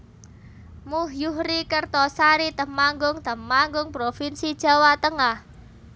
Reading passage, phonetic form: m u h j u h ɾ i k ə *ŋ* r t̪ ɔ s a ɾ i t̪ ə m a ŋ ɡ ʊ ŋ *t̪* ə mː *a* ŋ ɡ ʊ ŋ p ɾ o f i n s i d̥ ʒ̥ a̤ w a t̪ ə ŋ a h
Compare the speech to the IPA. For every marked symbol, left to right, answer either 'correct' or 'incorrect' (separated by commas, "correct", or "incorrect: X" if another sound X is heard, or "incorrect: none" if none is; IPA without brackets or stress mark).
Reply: incorrect: none, correct, correct